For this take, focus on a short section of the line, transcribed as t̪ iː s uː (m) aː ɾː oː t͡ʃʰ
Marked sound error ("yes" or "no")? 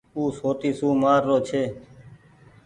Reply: no